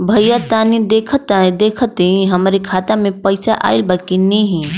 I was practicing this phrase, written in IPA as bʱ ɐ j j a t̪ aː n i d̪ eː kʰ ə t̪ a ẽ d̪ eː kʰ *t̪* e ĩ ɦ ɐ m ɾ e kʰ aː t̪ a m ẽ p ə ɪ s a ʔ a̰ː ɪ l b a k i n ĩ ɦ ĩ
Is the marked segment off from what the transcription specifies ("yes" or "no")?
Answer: no